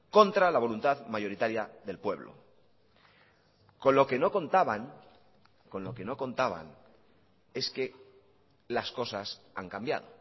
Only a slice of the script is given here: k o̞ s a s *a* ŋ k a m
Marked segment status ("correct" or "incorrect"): correct